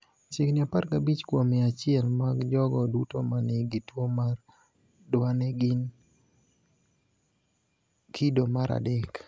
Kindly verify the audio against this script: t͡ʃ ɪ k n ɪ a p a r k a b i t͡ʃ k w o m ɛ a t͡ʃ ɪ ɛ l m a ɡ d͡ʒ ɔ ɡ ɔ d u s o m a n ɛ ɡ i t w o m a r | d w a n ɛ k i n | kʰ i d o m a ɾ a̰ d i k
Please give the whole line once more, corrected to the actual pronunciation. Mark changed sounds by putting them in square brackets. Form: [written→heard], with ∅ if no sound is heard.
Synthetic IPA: t͡ʃ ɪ k n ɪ a p a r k a b i t͡ʃ k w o m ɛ a t͡ʃ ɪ ɛ l m a ɡ d͡ʒ ɔ ɡ ɔ d u [s→t] o m a n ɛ ɡ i t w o m a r | d w a n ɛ [k→ɡ] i n | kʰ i d o m a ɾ a̰ d [i→ɛ] k